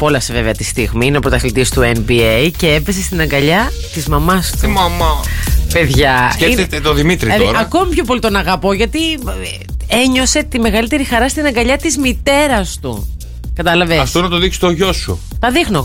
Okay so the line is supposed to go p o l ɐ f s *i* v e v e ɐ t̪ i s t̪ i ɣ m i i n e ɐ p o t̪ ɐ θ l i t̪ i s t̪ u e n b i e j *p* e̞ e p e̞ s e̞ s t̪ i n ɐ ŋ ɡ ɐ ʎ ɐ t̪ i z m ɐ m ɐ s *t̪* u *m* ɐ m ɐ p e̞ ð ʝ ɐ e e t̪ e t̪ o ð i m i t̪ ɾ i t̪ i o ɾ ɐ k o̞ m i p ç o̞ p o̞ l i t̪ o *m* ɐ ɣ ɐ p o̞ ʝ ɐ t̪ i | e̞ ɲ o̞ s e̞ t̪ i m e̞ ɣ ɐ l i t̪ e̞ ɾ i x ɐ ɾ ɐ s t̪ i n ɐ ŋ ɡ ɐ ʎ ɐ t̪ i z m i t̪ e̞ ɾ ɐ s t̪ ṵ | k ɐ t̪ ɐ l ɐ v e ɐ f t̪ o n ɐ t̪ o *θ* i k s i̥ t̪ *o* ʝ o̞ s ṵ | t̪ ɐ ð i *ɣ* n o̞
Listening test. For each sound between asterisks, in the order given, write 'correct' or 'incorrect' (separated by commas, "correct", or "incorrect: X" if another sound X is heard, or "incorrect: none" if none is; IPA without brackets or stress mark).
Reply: incorrect: e, incorrect: c, correct, correct, incorrect: n, incorrect: ð, correct, incorrect: x